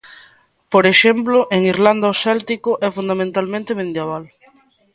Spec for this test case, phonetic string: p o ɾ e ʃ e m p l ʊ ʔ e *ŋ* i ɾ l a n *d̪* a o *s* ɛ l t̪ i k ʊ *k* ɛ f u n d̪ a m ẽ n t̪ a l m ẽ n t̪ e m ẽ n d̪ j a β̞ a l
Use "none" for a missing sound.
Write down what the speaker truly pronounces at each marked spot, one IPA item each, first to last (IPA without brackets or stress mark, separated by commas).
ŋ, d̪, s, ʔ